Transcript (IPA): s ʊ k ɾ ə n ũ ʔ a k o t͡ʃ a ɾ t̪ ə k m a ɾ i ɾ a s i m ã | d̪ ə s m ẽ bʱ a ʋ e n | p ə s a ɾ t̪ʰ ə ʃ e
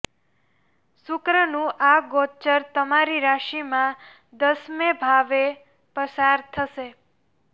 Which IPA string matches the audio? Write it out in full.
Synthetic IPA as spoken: s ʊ k ɾ ə n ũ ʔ a ɡ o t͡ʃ ə ɾ t̪ ə m a ɾ i ɾ a ʃ i m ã | d̪ ə s m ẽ bʱ a ʋ e | p ə s a ɾ t̪ʰ ə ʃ e